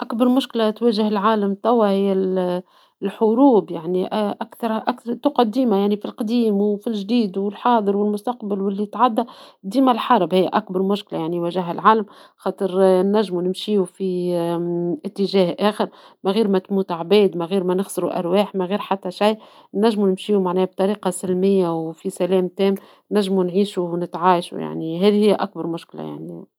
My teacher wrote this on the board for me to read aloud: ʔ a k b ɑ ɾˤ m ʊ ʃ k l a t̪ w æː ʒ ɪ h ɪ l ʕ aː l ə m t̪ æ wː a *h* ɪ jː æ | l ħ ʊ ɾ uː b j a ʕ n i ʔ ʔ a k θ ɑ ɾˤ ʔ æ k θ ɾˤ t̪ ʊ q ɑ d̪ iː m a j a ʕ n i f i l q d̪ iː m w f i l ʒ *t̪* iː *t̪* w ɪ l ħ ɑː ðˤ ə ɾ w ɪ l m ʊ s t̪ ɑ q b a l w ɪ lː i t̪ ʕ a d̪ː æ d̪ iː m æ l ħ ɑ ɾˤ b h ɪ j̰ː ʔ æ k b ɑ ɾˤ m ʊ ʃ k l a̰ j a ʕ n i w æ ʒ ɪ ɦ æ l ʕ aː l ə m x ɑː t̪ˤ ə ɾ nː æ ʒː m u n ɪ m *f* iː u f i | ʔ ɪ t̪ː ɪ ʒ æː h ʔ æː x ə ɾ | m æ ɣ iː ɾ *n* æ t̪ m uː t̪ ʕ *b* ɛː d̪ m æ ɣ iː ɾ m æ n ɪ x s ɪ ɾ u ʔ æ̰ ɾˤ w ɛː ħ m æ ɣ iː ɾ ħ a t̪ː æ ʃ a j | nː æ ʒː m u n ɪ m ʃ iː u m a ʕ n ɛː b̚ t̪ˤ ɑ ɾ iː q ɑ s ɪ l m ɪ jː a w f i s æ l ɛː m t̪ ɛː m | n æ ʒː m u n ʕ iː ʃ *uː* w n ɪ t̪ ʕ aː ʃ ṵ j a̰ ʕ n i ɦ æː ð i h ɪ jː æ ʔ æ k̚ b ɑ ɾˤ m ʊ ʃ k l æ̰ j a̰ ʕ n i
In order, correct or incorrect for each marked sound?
correct, incorrect, incorrect, incorrect, incorrect, correct, incorrect

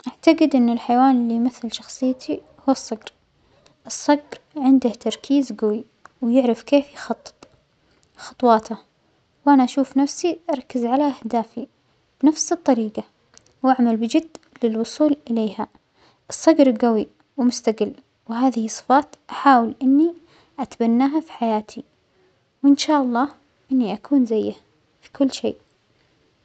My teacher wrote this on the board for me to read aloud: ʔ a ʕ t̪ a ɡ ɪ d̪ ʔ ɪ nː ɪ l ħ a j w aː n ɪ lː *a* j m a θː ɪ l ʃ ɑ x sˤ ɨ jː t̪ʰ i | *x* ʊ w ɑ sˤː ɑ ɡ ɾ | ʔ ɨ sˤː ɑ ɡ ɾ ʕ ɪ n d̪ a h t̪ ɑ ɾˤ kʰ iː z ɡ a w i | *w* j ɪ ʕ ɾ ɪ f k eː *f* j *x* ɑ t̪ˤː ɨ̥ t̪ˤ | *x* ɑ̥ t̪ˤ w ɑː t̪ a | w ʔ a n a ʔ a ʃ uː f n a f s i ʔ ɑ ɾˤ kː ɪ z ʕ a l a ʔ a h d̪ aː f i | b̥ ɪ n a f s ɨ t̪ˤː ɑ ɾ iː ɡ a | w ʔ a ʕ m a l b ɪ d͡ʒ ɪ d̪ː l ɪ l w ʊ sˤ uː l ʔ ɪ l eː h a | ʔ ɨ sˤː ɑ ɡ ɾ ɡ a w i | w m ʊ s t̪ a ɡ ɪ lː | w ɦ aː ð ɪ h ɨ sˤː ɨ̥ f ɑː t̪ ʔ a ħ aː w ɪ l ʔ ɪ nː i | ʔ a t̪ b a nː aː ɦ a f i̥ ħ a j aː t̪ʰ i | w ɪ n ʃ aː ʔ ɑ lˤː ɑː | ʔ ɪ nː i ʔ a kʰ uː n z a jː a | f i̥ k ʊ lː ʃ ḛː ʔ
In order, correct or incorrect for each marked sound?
incorrect, incorrect, correct, correct, correct, correct

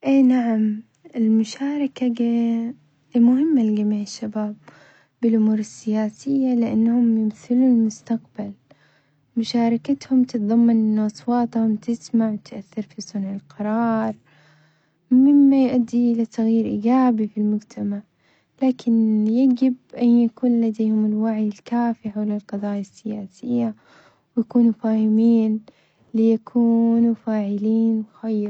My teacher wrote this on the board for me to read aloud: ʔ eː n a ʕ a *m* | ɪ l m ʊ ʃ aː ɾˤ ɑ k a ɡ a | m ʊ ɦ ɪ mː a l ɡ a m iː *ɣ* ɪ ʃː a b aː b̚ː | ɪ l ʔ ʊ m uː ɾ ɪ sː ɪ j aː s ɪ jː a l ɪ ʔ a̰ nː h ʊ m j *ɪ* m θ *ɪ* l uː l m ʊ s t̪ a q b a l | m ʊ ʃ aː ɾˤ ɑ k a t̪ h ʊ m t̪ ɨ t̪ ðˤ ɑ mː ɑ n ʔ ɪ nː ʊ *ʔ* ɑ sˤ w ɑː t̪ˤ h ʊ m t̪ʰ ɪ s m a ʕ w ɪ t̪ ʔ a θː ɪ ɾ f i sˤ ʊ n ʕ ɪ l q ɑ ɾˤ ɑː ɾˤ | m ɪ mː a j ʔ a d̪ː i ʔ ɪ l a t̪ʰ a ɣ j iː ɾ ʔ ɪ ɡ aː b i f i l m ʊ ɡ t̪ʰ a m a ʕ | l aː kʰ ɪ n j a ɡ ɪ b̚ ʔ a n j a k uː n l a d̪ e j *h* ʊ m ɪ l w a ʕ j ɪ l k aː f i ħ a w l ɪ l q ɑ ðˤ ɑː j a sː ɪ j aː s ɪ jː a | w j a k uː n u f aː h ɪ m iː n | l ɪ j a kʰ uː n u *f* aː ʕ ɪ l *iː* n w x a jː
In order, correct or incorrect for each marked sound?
correct, incorrect, correct, correct, correct, correct, correct, correct

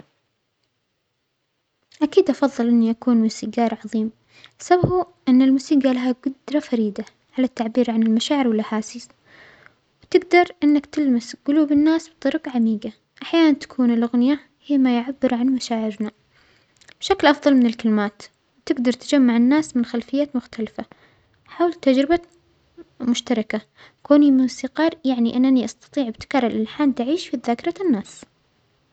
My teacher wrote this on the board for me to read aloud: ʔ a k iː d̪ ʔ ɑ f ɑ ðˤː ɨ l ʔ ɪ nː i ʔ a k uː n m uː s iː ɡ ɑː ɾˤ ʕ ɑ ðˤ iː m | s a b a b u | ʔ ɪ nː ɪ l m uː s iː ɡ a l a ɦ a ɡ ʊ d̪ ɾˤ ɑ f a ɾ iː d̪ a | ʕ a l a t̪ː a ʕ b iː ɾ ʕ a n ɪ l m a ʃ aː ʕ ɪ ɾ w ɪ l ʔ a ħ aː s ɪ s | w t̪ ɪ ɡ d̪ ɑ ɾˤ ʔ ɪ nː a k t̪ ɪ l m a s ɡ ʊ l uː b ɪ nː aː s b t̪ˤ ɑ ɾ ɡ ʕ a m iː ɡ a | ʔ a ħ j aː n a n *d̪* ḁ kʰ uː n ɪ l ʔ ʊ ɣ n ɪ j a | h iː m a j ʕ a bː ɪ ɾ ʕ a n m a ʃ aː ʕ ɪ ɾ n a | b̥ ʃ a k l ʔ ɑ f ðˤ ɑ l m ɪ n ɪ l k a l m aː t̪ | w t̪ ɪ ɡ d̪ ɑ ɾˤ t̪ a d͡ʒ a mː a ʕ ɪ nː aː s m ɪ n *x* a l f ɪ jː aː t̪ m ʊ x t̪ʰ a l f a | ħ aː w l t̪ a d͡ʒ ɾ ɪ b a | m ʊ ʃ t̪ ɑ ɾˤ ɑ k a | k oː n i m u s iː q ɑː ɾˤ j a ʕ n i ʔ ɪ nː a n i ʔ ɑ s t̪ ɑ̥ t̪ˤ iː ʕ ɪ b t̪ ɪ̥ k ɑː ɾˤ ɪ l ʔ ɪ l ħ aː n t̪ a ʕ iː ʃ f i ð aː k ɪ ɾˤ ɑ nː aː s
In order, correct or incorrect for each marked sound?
incorrect, correct

